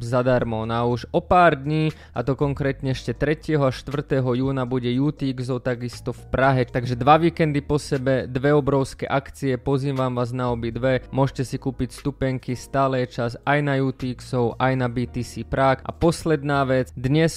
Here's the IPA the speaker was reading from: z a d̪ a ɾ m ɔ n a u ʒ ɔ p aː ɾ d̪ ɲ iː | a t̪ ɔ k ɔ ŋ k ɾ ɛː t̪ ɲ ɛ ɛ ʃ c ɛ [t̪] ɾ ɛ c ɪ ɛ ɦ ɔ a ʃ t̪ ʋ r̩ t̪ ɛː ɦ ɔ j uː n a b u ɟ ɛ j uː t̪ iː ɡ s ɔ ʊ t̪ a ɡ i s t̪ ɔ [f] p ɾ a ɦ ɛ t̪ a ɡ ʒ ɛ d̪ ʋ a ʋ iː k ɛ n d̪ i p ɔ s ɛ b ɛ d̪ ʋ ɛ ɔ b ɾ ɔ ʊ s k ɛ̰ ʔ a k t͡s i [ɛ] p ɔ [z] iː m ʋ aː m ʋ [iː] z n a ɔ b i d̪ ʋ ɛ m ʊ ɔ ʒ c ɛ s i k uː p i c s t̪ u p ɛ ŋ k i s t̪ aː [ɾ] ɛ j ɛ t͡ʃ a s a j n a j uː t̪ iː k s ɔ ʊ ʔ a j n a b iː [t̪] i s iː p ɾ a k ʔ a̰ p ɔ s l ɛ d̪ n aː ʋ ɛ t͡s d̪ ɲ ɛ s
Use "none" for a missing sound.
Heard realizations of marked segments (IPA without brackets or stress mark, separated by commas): t̪, f, ɛ, z, aː, l, t̪